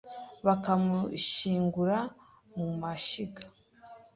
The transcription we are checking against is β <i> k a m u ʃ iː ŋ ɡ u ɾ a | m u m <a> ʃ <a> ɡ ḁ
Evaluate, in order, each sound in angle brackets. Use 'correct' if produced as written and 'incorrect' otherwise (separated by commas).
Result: incorrect, correct, incorrect